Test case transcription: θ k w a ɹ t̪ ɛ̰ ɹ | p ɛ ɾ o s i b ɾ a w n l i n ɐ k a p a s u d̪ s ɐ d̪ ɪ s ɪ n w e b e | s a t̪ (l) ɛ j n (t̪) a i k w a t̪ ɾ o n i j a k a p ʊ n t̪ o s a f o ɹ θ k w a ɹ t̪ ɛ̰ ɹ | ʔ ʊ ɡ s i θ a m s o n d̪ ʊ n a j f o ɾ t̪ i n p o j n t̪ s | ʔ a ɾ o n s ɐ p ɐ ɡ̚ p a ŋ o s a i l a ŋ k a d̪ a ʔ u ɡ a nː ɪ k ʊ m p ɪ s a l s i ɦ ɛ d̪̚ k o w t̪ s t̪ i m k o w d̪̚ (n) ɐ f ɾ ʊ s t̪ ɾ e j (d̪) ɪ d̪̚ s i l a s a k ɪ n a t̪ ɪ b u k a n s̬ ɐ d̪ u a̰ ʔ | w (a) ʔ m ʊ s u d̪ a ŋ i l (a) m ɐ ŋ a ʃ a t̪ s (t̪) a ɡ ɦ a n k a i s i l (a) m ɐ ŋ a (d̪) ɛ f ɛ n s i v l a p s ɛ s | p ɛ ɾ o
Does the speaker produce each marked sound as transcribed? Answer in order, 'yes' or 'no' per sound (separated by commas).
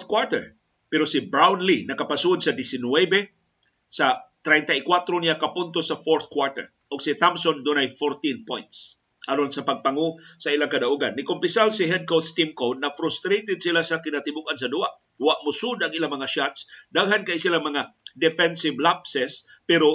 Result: no, yes, yes, no, yes, yes, no, yes, yes